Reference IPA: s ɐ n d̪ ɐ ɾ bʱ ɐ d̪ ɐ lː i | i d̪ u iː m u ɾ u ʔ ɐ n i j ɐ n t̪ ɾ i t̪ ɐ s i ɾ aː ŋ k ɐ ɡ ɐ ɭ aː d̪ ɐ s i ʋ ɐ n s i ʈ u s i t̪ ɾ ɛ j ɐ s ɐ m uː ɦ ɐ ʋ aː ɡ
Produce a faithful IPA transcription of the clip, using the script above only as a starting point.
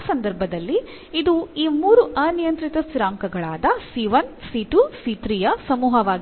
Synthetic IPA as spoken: s ɐ n d̪ ɐ ɾ bʱ ɐ d̪ ɐ lː i | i d̪ u iː m uː ɾ u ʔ ɐ n i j ɐ n t̪ ɾ i t̪ ɐ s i ɾ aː ŋ k ɐ ɡ ɐ ɭ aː d̪ ɐ s i ʋ ɐ n s i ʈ u s i t̪ ɾ i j ɐ s ɐ m uː ɦ ɐ ʋ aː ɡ

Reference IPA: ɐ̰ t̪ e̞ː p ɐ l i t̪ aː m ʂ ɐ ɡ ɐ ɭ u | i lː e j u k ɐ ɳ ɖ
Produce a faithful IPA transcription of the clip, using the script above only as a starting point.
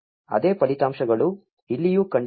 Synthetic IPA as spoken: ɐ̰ d̪ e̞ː p ɐ l i t̪ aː m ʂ ɐ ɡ ɐ ɭ u | i lː i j u k ɐ ɳ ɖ

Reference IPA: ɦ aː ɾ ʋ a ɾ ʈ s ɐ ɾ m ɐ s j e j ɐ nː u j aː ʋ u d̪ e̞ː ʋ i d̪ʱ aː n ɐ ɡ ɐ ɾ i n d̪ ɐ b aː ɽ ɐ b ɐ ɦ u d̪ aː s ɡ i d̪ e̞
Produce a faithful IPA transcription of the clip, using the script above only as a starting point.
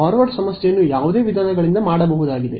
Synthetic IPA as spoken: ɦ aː ɾ ʋ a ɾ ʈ s ɐ m ɐ s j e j ɐ nː u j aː ʋ u d̪ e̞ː ʋ i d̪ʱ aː n ɐ ɡ ɐ ɭ i n d̪ ɐ m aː ɽ ɐ b ɐ ɦ u d̪ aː ɡ i d̪ e̞

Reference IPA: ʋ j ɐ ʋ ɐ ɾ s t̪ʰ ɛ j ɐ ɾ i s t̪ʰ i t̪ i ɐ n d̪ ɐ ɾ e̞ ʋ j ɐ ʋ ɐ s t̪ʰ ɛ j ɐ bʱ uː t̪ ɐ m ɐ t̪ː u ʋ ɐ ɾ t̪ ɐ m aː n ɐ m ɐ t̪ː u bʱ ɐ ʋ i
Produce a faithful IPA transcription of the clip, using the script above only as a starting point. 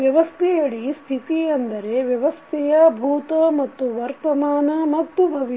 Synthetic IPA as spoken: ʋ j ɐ ʋ ɐ s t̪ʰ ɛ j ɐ ɭ i s t̪ʰ i t̪ i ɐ n d̪ ɐ ɾ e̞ ʋ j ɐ ʋ ɐ s t̪ʰ ɛ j ɐ bʱ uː t̪ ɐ m ɐ t̪ː u ʋ ɐ ɾ t̪ ɐ m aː n ɐ m ɐ t̪ː u bʱ ɐ ʋ i

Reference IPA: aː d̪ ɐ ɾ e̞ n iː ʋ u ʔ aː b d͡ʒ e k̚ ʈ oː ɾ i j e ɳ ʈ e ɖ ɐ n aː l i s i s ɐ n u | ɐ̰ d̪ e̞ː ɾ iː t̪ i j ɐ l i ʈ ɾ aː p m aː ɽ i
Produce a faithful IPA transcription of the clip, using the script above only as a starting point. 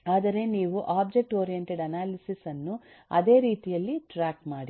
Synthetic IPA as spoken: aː d̪ ɐ ɾ e̞ n iː ʋ u ʔ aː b d͡ʒ e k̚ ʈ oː ɾ i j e ɳ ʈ e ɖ ɐ n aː l i s i s ɐ nː u | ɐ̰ d̪ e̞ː ɾ iː t̪ i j ɐ lː i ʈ ɾ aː k m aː ɽ i

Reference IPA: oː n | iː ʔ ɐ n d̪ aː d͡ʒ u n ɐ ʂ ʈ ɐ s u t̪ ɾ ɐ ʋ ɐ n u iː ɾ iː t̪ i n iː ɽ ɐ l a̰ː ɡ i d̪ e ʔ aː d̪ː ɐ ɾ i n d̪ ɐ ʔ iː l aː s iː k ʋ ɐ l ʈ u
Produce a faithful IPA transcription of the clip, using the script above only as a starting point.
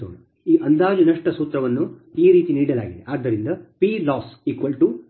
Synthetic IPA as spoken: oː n | iː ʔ ɐ n d̪ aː d͡ʒ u n ɐ ʂ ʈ ɐ s uː t̪ ɾ ɐ ʋ ɐ nː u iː ɾ iː t̪ i n iː ɽ ɐ l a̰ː ɡ i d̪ e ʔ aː d̪ː ɐ ɾ i n d̪ ɐ p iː l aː s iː k ʋ ɐ l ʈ u

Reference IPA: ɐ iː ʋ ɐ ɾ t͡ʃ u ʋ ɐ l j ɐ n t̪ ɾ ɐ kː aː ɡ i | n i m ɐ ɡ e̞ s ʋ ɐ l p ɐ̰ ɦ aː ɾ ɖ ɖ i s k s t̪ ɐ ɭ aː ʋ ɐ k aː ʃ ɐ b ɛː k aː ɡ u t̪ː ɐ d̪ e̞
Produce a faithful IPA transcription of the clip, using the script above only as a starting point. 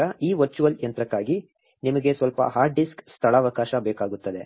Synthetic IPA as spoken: ɐ iː ʋ ɐ ɾ t͡ʃ u ʋ ɐ l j ɐ n t̪ ɾ ɐ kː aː ɡ i | n i m ɐ ɡ e̞ s ʋ ɐ l p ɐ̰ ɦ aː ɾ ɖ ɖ i s k s t̪ʰ ɐ ɭ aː ʋ ɐ k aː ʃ ɐ b ɛː k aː ɡ u t̪ː ɐ d̪ e̞

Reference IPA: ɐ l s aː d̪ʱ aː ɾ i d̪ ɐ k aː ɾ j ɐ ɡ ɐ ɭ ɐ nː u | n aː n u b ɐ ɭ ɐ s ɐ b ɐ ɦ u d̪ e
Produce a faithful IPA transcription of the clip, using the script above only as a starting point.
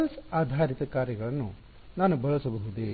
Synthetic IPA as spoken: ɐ l s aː d̪ʱ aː ɾ i t̪ ɐ k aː ɾ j ɐ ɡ ɐ ɭ ɐ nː u | n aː n u b ɐ ɭ ɐ s ɐ b ɐ ɦ u d̪ e

